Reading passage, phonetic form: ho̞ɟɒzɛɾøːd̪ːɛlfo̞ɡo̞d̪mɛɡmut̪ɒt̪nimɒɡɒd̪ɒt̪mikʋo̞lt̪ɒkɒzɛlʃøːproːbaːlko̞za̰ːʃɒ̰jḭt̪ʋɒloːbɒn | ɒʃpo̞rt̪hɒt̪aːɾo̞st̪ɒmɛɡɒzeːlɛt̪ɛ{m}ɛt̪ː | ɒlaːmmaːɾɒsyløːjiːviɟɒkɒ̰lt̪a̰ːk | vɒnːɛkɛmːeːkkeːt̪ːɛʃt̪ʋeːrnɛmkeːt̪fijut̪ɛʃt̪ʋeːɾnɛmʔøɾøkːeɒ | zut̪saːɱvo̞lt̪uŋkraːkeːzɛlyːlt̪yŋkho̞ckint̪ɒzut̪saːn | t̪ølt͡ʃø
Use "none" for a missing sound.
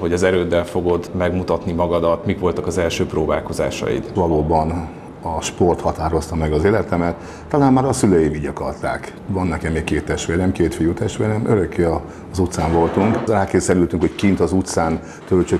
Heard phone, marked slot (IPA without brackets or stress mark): m